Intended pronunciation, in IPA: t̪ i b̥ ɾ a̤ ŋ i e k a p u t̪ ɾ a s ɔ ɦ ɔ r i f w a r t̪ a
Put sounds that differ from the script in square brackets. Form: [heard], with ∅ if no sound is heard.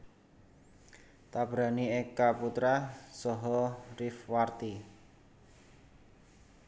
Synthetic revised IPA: t̪ [a] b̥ ɾ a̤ [n] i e k a p u t̪ ɾ a s ɔ ɦ ɔ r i f w a r t̪ [i]